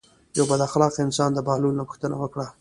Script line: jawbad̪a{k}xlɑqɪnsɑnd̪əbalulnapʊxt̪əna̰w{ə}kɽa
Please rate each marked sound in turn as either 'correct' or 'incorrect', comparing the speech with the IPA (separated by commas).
incorrect, correct